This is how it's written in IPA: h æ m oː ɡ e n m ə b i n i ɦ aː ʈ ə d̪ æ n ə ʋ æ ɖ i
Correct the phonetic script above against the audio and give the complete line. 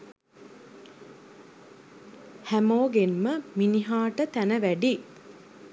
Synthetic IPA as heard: h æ m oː ɡ e n m ə m i n i ɦ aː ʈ ə t̪ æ n ə ʋ æ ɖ i